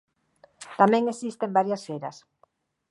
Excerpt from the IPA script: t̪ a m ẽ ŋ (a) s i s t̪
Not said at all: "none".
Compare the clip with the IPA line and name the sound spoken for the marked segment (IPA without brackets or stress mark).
e